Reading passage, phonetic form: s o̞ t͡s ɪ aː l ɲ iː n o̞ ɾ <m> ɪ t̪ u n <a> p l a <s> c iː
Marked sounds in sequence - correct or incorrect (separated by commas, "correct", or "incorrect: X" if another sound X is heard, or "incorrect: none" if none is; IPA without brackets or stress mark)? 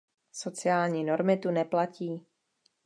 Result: correct, incorrect: ɛ, incorrect: none